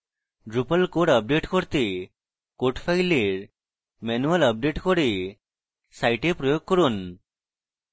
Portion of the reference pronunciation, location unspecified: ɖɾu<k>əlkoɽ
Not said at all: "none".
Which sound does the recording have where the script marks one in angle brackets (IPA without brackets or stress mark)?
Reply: p